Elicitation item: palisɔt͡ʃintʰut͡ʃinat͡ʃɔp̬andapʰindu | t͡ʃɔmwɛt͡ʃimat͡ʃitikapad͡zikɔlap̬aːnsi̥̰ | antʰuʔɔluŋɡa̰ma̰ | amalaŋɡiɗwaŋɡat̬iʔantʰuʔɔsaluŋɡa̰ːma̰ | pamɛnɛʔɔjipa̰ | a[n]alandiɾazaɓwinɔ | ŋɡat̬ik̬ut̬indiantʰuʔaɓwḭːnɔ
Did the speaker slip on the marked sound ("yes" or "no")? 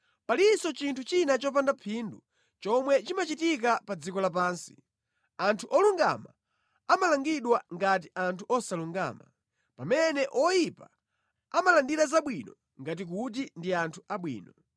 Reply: yes